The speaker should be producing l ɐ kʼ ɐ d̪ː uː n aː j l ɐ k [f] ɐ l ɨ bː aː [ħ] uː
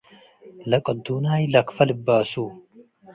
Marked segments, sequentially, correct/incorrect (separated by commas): correct, incorrect